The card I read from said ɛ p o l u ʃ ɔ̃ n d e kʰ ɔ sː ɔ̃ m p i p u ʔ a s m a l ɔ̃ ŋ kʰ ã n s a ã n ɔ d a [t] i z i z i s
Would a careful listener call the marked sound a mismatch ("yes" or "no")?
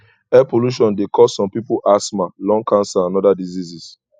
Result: yes